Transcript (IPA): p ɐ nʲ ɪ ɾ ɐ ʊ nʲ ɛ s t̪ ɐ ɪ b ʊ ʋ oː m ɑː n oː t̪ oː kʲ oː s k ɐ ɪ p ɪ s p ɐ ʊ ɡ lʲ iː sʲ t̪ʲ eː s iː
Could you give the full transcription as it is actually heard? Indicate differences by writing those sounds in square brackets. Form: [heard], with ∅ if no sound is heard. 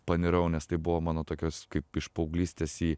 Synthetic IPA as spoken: p ɐ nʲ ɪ ɾ ɐ ʊ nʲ ɛ s t̪ ɐ ɪ b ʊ ʋ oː m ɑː n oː t̪ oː kʲ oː s k ɐ ɪ p ɪ [ʃ] p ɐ ʊ ɡ lʲ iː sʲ t̪ʲ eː s iː